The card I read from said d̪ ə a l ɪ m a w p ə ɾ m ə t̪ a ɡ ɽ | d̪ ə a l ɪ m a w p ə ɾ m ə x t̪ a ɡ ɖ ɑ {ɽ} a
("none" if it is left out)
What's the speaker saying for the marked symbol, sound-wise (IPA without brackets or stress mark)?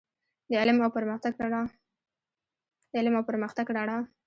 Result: ɽ